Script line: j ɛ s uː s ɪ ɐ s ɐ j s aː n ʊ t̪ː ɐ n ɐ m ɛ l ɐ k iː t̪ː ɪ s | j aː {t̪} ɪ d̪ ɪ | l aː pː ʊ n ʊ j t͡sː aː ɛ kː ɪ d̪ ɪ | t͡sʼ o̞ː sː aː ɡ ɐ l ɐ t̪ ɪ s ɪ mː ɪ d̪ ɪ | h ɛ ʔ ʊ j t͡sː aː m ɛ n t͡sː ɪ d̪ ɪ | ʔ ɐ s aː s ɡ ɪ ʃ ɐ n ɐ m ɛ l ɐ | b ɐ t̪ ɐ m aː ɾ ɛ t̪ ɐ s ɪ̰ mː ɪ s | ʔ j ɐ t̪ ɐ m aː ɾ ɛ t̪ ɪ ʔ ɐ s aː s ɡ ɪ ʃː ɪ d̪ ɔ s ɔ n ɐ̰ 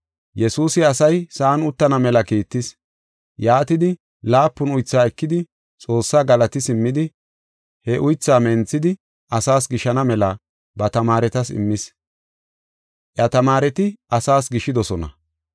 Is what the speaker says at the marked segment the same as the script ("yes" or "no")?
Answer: yes